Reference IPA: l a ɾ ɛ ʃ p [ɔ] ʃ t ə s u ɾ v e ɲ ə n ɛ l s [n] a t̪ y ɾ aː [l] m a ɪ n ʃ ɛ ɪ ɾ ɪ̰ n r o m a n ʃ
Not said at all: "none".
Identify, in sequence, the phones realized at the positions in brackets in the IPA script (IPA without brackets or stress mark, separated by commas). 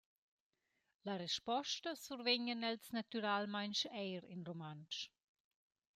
ɔ, n, l